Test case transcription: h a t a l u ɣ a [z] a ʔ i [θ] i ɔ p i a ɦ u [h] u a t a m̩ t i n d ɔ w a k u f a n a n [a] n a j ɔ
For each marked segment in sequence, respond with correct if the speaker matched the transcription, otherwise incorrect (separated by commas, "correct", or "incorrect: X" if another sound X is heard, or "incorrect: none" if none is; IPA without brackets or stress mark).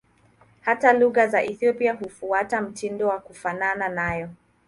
correct, correct, incorrect: f, correct